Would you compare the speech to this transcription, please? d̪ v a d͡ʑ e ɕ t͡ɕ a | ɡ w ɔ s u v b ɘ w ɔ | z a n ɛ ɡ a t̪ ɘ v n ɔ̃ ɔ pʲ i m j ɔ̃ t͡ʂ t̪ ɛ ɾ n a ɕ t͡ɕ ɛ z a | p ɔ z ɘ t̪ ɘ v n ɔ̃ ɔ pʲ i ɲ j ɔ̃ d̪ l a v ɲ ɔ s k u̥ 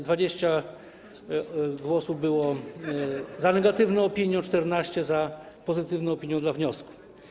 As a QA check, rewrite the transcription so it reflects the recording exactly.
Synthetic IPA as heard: d̪ v a d͡ʑ e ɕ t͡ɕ a | ɡ w ɔ s u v b ɘ w ɔ | z a n ɛ ɡ a t̪ ɘ v n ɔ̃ ɔ pʲ i ɲ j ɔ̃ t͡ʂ t̪ ɛ ɾ n a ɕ t͡ɕ ɛ z a | p ɔ z ɘ t̪ ɘ v n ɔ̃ ɔ pʲ i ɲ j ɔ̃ d̪ l a v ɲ ɔ s k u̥